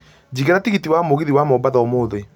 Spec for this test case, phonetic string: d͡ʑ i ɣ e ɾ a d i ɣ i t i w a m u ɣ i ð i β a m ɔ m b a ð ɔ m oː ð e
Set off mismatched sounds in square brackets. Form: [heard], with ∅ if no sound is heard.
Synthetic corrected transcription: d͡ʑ i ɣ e ɾ a [t] i ɣ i t i w a m [o] ɣ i ð i [w] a m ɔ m b a ð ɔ m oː ð e